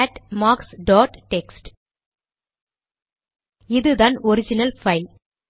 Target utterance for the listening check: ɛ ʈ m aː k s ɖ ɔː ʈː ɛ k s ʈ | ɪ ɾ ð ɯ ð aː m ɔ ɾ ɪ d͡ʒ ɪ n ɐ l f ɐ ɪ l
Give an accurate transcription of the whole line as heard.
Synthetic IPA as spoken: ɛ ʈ m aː k s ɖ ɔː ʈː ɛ k s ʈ | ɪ ð ɯ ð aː n ɔ ɾ ɪ d͡ʒ ɪ n ɐ l f ɐ ɪ l